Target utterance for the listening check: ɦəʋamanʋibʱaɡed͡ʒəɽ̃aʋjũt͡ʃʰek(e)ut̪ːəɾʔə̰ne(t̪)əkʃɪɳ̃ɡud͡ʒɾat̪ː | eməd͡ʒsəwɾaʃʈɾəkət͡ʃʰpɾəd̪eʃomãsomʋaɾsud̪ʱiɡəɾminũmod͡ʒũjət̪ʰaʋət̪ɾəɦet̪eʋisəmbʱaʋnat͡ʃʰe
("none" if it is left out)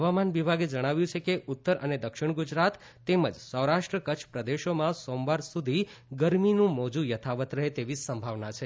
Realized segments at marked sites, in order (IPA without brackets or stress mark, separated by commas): e, d̪